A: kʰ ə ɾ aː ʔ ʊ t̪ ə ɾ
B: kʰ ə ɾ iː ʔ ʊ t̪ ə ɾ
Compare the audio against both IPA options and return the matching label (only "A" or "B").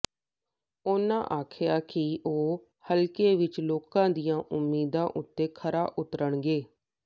A